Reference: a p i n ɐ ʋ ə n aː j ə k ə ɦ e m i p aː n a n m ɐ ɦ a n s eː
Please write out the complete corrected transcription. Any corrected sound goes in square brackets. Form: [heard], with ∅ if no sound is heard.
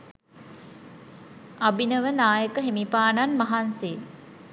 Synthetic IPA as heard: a [b] i n [ə] ʋ ə n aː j ə k ə ɦ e m i p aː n a n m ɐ ɦ a n s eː

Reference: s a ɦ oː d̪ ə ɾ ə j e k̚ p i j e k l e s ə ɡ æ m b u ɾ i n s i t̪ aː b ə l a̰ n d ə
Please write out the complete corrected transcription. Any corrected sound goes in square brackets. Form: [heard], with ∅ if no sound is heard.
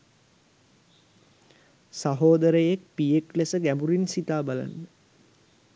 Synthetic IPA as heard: s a ɦ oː d̪ ə ɾ ə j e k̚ p i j e k l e s ə ɡ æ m b u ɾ i n s i t̪ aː b [a] l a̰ n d ə

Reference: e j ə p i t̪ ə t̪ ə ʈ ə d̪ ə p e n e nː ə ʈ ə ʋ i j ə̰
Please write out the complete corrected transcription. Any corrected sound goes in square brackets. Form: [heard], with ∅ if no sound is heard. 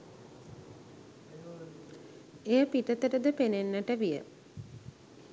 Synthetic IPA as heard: e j ə p i t̪ ə t̪ ə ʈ ə d̪ ə p e n e nː ə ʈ ə ʋ i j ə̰

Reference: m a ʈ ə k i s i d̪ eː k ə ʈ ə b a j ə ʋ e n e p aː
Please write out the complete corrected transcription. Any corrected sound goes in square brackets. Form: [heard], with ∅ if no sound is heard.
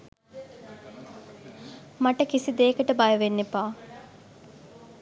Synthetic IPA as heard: m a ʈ ə k i s i d̪ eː k ə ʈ ə b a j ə ʋ e [nː] e p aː

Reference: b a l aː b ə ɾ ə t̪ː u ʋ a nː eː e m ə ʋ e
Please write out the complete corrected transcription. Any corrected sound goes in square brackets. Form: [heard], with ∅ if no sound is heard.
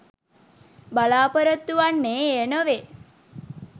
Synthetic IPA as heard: b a l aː [p] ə ɾ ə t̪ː u ʋ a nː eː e [n] ə ʋ e

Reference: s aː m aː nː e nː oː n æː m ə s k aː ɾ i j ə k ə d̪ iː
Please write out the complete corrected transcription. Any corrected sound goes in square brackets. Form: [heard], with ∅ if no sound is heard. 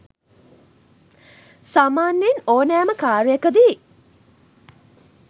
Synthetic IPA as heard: s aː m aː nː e [n] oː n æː m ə [∅] k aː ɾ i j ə k ə d̪ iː

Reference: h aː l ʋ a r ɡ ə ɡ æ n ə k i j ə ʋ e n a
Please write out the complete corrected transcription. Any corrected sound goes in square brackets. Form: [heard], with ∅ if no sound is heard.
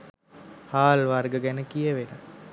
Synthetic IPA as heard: h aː l ʋ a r ɡ ə ɡ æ n ə k i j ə ʋ e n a

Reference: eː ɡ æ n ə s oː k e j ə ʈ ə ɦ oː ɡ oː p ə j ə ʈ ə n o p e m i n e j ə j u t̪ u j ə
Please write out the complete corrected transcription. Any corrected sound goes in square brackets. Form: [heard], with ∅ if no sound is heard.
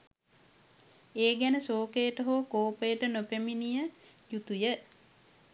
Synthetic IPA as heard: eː ɡ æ n ə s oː k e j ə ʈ ə ɦ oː [k] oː p ə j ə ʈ ə n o p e m i n [i] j ə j u t̪ u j ə

